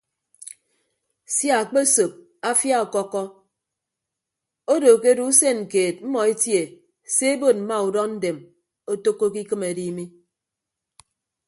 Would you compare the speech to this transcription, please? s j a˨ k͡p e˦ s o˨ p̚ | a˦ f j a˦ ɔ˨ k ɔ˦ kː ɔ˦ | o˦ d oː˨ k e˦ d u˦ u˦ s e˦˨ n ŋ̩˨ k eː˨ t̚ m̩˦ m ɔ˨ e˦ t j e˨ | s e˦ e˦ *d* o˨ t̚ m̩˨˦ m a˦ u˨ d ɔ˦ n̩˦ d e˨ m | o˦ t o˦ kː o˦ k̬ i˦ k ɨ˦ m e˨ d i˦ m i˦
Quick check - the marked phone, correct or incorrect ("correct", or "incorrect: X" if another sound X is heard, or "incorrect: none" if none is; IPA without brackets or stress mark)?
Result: incorrect: b